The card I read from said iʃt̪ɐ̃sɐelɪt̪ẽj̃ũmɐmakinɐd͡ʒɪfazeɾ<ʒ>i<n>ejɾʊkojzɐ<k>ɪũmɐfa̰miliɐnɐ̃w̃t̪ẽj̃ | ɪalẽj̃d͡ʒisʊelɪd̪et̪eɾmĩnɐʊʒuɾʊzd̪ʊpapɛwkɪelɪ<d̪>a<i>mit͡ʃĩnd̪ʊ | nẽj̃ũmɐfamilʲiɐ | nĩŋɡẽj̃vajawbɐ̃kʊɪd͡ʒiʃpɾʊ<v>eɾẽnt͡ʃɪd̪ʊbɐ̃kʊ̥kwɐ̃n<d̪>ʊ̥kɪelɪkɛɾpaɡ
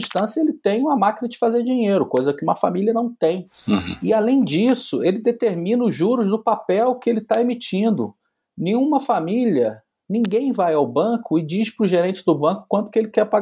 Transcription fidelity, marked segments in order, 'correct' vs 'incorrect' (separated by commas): incorrect, incorrect, correct, incorrect, incorrect, incorrect, incorrect